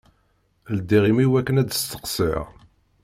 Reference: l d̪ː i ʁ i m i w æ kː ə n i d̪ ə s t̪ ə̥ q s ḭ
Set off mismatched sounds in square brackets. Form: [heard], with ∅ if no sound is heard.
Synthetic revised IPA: l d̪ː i ʁ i m i w æ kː ə n [æ] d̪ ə s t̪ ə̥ q s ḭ